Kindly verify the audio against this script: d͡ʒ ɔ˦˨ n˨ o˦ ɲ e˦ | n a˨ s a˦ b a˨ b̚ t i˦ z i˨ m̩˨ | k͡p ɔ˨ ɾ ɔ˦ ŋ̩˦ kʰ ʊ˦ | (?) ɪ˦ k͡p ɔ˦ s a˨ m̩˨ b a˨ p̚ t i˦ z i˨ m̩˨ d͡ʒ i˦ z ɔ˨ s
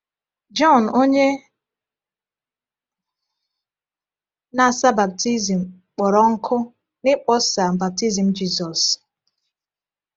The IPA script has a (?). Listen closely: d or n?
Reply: n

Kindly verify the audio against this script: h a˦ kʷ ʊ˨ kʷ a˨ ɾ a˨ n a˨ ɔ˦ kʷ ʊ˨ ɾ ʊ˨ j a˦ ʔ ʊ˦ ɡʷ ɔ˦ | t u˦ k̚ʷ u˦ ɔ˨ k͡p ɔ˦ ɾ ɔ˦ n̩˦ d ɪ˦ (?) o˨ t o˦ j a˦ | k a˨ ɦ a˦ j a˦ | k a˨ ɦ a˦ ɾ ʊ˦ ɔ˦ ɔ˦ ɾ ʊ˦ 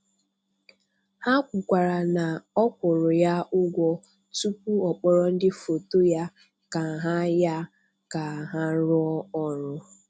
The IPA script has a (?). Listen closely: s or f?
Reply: f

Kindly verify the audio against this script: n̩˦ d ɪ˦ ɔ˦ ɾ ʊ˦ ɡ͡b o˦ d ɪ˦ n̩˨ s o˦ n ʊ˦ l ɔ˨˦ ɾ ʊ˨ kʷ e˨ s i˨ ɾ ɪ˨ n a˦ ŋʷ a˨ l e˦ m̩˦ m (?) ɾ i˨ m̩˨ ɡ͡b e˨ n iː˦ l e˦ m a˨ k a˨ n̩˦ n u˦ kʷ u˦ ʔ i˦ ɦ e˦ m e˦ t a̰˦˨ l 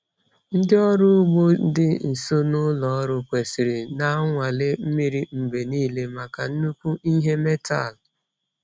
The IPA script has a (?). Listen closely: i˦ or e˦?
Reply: i˦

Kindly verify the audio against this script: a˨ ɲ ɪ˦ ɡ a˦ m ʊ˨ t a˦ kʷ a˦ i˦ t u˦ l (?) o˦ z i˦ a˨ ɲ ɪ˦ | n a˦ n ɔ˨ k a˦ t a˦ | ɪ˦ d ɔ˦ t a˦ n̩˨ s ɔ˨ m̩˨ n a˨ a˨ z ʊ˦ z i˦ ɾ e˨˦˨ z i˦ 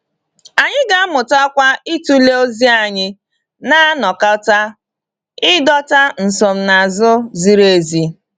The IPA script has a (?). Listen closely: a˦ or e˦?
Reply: e˦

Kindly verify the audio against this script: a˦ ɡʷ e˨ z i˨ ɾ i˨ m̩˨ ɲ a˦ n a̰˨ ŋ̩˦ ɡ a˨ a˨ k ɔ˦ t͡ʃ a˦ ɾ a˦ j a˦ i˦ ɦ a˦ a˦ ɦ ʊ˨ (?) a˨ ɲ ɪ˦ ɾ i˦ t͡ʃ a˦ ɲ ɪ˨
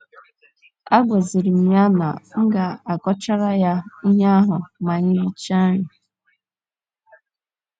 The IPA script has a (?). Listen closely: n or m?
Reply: m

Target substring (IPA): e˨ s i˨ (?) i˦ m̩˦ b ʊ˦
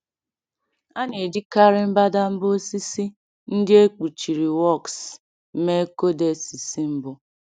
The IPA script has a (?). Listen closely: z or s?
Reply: s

